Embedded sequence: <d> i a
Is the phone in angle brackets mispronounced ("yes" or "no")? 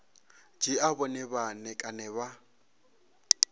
yes